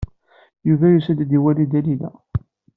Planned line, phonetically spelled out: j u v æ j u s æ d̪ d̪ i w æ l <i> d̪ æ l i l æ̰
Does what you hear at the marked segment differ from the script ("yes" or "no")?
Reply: no